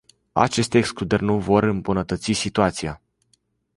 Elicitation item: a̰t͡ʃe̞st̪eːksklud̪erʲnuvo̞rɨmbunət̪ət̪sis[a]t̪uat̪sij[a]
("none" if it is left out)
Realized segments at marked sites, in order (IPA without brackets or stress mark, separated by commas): i, a